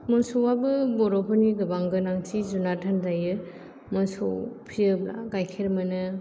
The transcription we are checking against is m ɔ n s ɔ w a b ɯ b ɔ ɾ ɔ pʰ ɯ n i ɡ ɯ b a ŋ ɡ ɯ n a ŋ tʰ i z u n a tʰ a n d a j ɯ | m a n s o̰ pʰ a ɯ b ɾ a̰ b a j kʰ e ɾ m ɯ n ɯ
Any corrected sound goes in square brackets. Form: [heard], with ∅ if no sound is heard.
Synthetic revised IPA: m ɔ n s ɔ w a b ɯ b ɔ ɾ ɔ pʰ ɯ n i ɡ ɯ b a ŋ ɡ ɯ n a ŋ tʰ i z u n a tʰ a n d a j ɯ | m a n s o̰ pʰ [i] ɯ b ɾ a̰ [ɡ] a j kʰ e ɾ m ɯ n ɯ